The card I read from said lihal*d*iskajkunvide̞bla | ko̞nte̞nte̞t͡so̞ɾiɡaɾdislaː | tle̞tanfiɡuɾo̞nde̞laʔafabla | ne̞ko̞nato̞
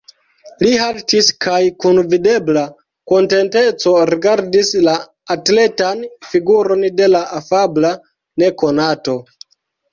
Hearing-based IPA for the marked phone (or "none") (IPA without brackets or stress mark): t